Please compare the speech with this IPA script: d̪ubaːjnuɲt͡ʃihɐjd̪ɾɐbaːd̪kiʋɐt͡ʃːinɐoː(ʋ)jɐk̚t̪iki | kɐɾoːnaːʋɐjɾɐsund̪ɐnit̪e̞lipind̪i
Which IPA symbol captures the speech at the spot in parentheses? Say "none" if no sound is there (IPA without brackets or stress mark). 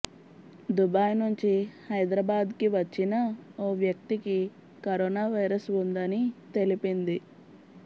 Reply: ʋ